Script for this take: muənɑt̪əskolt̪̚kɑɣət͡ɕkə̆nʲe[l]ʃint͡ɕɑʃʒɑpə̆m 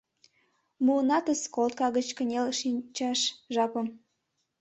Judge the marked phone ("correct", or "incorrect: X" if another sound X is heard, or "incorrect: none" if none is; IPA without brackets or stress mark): correct